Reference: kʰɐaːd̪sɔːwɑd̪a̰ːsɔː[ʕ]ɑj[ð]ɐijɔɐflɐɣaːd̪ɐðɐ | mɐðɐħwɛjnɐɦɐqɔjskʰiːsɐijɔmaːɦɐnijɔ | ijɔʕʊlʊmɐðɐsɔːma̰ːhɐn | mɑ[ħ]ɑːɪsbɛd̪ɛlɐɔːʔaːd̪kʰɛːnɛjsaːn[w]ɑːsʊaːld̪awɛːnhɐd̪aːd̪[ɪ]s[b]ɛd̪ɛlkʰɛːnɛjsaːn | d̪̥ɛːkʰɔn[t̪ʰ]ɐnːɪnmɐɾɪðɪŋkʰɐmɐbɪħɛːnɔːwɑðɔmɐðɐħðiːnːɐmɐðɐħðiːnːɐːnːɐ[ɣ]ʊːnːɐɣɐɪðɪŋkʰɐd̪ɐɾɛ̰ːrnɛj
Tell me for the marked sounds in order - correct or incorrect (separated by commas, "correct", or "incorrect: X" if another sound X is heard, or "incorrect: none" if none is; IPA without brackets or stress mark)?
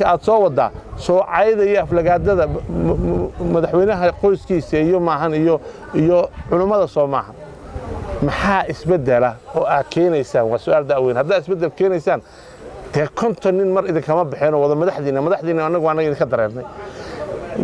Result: correct, correct, correct, correct, correct, correct, correct, correct